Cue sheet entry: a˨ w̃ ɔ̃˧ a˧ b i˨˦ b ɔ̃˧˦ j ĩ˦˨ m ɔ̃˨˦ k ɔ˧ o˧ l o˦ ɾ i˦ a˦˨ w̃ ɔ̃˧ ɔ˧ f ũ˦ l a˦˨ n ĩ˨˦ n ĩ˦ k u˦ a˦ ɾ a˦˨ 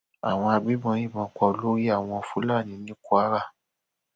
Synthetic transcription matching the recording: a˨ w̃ ɔ̃˧ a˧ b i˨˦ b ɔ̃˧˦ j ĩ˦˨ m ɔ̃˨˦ k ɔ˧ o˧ l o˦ ɾ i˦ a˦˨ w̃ ɔ̃˧ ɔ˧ f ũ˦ l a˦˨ n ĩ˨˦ n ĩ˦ k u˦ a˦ ɾ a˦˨